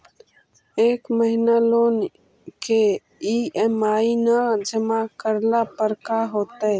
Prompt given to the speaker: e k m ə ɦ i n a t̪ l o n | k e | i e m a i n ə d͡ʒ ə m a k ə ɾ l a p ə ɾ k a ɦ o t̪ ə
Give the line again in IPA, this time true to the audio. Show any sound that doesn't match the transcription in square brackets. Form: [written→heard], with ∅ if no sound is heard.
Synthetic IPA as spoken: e k m ə ɦ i n a [t̪→∅] l o n | k e | i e m a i n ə d͡ʒ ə m a k ə ɾ l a p ə ɾ k a ɦ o t̪ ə